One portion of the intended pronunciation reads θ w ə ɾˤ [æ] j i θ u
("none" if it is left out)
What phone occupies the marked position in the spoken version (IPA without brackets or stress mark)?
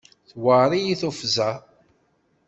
i